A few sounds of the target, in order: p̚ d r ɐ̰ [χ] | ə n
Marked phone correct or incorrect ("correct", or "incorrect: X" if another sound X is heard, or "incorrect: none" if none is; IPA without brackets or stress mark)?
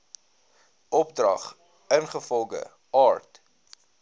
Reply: correct